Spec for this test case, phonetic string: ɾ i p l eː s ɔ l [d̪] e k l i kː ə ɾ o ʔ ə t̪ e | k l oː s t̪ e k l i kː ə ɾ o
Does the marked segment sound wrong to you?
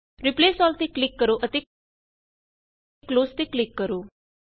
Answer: yes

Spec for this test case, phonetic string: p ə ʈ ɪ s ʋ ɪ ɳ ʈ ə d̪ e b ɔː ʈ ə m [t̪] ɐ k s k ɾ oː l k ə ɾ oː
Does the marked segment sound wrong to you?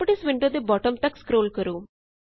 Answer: no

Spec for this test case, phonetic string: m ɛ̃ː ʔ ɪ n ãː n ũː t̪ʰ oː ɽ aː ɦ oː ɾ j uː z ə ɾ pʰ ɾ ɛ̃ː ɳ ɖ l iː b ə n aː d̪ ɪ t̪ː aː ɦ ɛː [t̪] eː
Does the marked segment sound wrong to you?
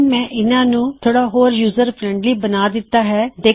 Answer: yes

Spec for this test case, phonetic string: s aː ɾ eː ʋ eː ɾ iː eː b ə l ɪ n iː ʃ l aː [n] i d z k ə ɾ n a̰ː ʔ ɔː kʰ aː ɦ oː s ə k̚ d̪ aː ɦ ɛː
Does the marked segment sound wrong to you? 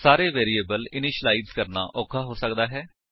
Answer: yes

